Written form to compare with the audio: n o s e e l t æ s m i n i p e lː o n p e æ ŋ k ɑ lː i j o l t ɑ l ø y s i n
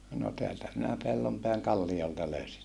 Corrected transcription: n o t e æ l t æ m i n æ p e lː o m p e æ ŋ k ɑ lː i j o l t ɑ l ø y s i n